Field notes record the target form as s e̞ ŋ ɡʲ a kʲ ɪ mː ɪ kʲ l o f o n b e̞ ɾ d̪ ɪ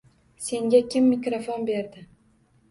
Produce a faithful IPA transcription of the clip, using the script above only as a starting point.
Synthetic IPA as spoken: s e̞ ŋ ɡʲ a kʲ ɪ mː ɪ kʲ ɾ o f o n b e̞ ɾ d̪ ɪ